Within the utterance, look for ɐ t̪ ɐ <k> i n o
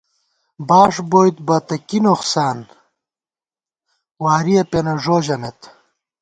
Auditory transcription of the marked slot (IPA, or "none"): k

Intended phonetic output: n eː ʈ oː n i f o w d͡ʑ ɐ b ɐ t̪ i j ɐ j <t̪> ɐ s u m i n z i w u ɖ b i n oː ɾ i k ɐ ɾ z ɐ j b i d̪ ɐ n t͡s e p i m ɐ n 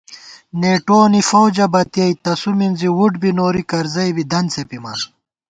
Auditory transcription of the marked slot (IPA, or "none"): t̪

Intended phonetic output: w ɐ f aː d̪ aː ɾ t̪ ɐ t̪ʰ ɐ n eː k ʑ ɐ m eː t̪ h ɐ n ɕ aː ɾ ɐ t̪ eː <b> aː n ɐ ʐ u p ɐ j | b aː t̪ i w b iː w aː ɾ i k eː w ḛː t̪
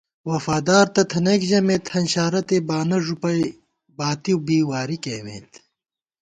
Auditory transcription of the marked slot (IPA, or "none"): b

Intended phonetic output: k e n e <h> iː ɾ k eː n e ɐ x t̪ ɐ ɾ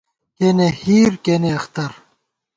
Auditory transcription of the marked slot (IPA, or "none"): h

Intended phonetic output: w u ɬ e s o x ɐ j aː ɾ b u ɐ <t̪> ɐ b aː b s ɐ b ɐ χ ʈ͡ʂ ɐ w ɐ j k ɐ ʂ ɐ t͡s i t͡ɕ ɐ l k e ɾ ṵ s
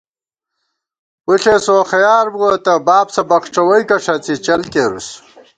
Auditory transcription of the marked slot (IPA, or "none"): t̪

